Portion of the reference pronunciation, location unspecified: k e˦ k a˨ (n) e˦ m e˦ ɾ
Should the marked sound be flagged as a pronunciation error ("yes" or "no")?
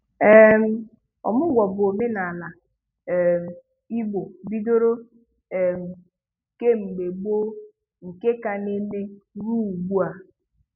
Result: no